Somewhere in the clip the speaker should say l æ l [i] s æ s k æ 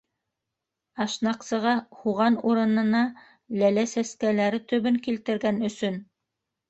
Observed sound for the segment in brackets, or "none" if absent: æ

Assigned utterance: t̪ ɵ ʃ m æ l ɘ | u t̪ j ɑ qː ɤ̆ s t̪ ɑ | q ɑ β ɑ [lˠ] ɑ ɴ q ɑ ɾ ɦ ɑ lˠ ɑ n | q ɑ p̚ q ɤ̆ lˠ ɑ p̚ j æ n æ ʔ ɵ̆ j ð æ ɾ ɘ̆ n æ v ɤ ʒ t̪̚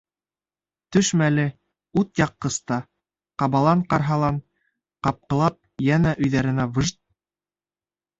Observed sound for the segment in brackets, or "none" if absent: lˠ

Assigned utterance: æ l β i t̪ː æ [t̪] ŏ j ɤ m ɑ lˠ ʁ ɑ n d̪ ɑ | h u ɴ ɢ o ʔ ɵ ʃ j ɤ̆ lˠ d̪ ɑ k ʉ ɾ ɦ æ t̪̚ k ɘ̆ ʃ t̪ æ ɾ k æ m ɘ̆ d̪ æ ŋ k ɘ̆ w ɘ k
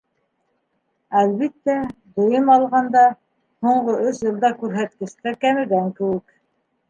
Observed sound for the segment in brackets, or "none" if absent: d̪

